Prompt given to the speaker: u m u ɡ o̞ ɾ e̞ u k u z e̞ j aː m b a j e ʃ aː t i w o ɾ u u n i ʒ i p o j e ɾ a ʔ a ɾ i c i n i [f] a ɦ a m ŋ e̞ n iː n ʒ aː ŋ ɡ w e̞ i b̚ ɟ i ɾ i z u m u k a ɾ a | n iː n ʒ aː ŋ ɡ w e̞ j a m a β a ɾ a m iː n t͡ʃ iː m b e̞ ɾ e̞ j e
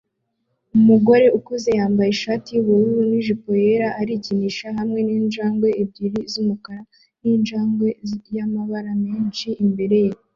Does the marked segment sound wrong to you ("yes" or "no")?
yes